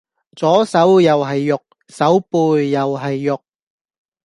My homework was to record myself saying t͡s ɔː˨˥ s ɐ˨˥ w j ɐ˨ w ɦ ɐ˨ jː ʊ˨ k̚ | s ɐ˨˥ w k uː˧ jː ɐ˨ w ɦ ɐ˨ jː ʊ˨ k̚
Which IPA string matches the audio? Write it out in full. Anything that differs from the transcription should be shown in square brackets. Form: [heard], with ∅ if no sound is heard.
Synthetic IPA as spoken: t͡s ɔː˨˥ s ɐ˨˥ w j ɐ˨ w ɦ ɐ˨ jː ʊ˨ k̚ | s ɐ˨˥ w [p] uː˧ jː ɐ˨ w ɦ ɐ˨ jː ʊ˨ k̚